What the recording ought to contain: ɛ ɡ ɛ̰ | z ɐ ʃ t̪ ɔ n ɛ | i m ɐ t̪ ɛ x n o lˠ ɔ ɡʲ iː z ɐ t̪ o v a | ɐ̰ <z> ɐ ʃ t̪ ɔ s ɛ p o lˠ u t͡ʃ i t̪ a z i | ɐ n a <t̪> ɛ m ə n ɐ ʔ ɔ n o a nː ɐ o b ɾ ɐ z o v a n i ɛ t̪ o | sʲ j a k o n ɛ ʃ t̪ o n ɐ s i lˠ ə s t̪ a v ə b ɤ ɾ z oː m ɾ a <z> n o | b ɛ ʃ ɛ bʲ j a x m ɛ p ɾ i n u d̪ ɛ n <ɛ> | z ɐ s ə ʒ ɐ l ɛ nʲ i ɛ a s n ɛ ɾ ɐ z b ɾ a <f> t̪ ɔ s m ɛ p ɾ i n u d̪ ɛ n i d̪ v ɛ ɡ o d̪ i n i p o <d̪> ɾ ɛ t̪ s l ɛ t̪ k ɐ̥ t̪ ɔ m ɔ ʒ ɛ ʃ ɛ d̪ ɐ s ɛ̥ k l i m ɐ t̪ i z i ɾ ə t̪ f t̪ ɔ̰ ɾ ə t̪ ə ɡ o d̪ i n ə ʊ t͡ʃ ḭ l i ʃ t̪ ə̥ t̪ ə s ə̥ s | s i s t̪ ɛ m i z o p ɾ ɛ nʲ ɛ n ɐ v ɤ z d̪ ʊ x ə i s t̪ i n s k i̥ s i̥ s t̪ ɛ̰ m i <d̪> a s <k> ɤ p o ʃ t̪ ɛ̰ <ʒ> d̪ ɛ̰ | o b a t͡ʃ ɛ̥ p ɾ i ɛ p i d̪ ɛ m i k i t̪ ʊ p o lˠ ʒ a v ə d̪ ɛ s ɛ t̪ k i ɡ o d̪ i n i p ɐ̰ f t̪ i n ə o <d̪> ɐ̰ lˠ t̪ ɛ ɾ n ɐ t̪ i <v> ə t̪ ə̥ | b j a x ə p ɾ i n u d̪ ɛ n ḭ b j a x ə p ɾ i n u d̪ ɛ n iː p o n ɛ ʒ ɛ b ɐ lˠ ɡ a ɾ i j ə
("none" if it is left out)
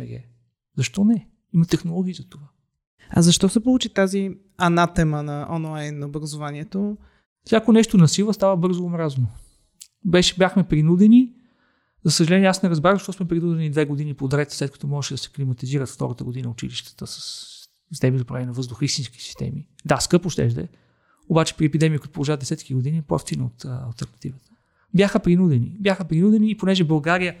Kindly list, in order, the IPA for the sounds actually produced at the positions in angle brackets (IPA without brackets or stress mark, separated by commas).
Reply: z, t̪, z, i, ʃ, d̪, d̪, k, ʒ, t̪, v